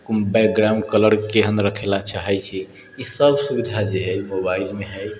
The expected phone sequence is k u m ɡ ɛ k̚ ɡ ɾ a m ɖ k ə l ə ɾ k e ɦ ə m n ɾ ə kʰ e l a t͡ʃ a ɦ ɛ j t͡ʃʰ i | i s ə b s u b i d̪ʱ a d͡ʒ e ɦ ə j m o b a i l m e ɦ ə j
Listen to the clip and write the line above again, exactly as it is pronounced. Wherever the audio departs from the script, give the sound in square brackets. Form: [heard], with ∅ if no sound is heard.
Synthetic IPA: k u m [b] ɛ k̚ ɡ ɾ a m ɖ k ə l ə ɾ k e ɦ ə [∅] n ɾ ə kʰ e l a t͡ʃ a ɦ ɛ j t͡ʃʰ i | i s ə b s u b i d̪ʱ a d͡ʒ e ɦ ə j m o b a i l m e ɦ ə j

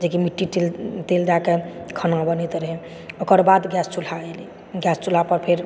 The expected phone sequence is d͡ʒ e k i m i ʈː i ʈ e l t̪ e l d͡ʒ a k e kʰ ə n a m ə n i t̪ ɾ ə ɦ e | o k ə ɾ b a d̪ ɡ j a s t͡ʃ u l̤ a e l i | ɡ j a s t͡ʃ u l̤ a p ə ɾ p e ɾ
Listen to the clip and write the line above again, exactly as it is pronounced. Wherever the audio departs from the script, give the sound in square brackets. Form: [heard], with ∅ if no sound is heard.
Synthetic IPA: d͡ʒ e k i m i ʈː i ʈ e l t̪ e l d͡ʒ a k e kʰ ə n a [b] ə n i t̪ ɾ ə ɦ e | o k ə ɾ b a d̪ ɡ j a s t͡ʃ u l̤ a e l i | ɡ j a s t͡ʃ u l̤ a p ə ɾ [pʰ] e ɾ

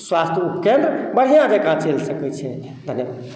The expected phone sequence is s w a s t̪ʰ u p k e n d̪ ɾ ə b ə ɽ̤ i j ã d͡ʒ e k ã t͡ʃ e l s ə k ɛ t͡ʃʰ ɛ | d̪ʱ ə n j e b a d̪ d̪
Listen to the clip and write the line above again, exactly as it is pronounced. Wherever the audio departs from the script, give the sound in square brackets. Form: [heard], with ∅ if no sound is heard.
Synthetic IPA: s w a s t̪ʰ u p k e n d̪ ɾ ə b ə ɽ̤ i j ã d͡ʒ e k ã t͡ʃ e l s ə k ɛ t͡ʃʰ ɛ | d̪ʱ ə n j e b a d̪ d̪

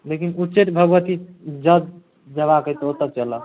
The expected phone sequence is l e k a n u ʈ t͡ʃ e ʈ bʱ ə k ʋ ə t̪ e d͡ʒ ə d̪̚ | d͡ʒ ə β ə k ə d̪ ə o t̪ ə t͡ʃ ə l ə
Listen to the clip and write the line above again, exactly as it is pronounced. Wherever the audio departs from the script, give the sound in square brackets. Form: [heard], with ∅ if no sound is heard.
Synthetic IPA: l e k [i] n u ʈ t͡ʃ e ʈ bʱ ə [ɡ] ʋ ə t̪ [i] d͡ʒ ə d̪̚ | d͡ʒ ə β [a] k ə [t̪] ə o t̪ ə t͡ʃ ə l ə

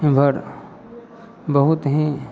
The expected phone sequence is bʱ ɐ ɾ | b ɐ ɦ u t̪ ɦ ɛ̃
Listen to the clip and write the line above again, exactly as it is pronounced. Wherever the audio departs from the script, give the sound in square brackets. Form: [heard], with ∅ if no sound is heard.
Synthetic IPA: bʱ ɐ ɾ | b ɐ ɦ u t̪ ɦ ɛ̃

